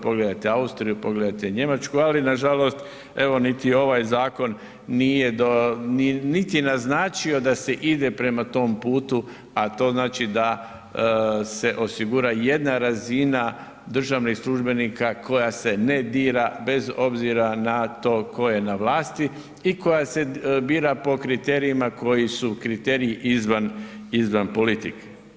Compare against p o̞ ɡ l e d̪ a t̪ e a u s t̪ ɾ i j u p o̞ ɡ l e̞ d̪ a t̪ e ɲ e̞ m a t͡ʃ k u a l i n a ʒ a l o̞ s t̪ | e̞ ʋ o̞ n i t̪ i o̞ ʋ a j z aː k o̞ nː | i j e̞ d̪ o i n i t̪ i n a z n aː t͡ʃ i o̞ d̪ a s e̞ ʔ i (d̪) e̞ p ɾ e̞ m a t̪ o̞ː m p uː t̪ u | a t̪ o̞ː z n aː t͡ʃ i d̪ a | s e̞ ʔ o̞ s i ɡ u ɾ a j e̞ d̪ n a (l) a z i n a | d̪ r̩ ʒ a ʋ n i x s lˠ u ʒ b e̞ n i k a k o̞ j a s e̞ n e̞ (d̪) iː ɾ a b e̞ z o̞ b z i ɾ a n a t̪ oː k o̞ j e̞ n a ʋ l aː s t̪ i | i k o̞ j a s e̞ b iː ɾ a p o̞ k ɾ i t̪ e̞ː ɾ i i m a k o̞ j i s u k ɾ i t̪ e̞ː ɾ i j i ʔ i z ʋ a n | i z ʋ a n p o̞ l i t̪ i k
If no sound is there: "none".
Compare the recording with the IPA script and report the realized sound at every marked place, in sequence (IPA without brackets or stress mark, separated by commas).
d̪, ɾ, d̪